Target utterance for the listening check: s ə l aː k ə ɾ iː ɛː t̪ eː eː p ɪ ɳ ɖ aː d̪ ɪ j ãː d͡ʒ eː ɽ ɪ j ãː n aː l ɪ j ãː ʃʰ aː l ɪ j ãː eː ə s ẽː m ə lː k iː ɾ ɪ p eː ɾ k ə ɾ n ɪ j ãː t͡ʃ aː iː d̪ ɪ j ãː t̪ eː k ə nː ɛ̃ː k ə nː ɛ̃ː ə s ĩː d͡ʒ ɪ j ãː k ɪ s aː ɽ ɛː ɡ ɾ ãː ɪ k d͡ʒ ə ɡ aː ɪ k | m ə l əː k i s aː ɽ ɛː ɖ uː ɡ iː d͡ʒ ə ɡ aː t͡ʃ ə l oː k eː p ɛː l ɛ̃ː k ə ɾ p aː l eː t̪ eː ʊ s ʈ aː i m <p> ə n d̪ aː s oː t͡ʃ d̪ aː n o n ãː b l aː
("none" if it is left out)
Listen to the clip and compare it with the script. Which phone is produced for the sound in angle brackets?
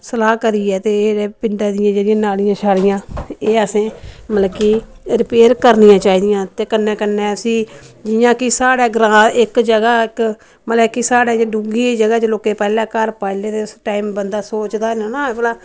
b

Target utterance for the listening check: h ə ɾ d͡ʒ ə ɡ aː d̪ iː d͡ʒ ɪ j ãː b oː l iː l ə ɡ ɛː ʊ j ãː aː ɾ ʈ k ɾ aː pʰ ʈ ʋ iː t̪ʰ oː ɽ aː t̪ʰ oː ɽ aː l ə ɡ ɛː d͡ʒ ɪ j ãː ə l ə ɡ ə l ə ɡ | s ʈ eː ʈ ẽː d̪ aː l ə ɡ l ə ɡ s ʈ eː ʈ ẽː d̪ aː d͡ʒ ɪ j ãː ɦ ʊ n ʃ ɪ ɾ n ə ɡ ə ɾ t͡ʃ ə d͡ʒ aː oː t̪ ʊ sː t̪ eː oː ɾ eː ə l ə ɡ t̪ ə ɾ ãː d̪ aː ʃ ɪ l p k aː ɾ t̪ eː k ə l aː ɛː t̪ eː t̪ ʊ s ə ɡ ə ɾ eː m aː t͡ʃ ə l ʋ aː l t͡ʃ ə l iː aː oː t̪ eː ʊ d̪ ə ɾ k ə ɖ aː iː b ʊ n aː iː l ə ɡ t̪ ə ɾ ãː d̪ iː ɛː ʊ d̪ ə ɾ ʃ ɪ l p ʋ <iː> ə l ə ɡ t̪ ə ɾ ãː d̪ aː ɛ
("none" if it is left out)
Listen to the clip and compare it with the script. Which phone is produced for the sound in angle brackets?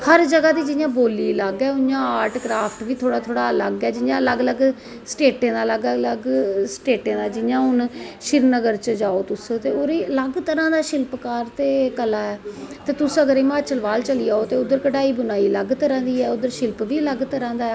iː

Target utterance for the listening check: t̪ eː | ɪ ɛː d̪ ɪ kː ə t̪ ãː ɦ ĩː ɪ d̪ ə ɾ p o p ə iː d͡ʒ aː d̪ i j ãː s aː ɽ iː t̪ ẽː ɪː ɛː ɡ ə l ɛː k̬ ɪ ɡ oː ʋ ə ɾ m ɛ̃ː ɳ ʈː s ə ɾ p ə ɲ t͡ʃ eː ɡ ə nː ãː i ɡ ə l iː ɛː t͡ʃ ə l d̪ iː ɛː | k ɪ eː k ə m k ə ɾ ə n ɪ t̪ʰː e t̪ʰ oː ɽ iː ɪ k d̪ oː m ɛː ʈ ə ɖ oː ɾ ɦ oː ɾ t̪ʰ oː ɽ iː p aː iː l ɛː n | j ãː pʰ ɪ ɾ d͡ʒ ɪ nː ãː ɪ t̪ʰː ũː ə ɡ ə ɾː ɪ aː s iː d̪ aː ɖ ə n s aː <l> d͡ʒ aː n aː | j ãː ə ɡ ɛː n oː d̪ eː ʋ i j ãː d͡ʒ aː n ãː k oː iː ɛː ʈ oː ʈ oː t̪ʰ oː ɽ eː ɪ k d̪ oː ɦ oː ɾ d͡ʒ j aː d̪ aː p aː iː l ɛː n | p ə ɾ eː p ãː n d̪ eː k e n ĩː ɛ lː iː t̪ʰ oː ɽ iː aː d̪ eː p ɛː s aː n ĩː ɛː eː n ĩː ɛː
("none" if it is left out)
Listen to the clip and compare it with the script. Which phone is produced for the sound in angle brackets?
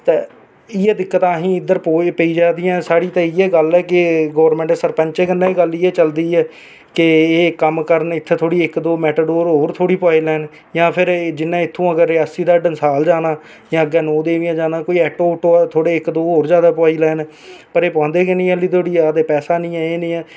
l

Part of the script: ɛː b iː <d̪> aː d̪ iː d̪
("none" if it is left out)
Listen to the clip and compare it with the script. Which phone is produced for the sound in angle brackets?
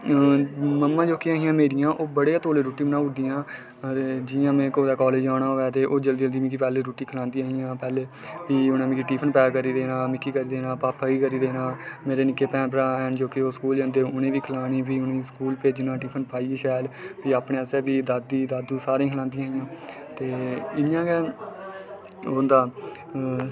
d̪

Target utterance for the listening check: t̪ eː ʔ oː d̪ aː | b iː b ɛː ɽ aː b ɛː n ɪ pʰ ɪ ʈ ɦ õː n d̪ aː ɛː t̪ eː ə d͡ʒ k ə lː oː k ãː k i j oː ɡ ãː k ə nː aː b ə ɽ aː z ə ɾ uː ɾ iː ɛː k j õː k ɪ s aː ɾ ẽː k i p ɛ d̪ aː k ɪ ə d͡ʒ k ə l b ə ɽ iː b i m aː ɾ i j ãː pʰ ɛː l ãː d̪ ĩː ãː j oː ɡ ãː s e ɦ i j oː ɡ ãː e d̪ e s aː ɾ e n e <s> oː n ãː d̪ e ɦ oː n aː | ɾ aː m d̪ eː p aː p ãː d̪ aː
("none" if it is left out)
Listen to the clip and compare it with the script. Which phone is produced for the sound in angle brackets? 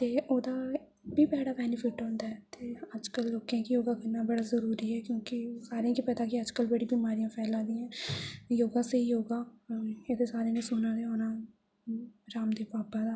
s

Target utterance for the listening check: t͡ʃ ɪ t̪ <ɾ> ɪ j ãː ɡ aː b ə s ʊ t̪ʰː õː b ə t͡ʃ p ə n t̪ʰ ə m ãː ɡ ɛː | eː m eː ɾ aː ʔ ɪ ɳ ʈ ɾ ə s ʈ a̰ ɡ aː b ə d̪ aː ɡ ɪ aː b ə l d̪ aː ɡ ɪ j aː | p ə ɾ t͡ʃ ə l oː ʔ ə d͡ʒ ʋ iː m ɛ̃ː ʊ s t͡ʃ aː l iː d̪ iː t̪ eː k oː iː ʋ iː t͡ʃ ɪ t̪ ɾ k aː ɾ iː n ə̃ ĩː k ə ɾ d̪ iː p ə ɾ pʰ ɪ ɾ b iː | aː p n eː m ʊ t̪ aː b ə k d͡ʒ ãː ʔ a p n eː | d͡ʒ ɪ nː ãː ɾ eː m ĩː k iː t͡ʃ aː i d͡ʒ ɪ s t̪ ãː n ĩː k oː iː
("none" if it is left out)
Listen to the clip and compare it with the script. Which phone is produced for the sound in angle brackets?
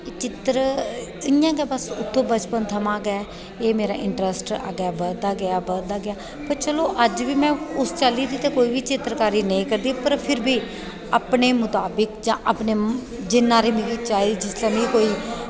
ɾ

